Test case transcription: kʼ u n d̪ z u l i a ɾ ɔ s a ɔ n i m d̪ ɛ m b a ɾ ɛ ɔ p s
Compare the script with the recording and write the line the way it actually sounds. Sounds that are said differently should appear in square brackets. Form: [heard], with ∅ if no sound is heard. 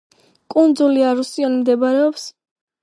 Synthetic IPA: kʼ u n d̪ z u l i a ɾ [u] s [i] ɔ n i m d̪ ɛ [∅] b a ɾ ɛ ɔ p s